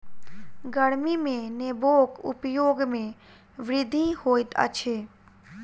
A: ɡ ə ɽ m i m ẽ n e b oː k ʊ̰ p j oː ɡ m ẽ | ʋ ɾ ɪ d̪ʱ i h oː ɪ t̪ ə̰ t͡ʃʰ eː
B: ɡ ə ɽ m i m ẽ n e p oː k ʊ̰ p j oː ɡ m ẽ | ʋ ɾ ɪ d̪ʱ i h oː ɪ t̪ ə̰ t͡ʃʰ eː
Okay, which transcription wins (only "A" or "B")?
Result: A